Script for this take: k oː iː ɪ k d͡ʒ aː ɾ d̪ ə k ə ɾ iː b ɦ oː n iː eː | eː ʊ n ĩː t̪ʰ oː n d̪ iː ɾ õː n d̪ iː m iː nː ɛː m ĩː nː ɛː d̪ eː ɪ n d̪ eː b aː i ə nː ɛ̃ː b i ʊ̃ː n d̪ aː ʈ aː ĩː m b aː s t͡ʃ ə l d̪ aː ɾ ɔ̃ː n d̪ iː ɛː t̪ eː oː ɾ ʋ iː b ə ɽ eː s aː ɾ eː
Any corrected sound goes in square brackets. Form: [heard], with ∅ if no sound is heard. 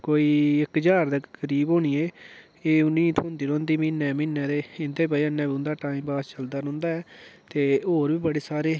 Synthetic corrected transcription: k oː iː ɪ k d͡ʒ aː ɾ d̪ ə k ə ɾ iː b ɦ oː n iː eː | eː ʊ n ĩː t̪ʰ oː n d̪ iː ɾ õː n d̪ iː m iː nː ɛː m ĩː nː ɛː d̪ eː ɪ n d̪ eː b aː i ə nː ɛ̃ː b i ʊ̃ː n d̪ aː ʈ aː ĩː m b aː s t͡ʃ ə l d̪ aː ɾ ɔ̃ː n d̪ [aː] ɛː t̪ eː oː ɾ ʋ iː b ə ɽ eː s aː ɾ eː

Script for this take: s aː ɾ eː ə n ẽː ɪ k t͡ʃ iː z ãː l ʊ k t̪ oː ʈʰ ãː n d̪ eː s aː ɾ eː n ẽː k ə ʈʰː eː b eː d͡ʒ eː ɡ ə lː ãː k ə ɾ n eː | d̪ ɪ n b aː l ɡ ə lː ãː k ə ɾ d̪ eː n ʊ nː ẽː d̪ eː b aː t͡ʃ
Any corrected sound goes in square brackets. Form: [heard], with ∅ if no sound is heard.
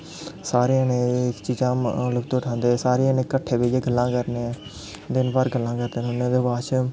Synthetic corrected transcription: s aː ɾ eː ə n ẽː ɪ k t͡ʃ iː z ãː l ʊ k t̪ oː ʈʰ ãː n d̪ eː s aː ɾ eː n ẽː k ə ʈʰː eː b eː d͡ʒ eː ɡ ə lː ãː k ə ɾ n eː | d̪ ɪ n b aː [ɾ] ɡ ə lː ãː k ə ɾ d̪ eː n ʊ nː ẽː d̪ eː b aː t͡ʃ

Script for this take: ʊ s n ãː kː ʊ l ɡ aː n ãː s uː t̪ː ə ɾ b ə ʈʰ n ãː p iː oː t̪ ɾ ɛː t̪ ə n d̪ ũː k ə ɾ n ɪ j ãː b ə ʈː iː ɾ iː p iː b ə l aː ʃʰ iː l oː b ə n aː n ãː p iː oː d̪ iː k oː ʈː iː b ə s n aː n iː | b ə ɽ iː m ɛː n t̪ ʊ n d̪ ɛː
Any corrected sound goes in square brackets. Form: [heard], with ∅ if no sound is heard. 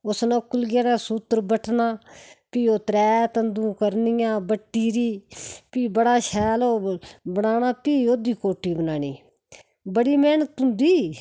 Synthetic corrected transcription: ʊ s n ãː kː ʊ l ɡ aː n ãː s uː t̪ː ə ɾ b ə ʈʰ n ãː p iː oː t̪ ɾ ɛː t̪ ə n d̪ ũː k ə ɾ n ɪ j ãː b ə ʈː iː ɾ iː p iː b ə [ɽ] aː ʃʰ [ɛː] l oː b ə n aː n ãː p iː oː d̪ iː k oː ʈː iː b ə [∅] n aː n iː | b ə ɽ iː m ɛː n t̪ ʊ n d̪ [iː]

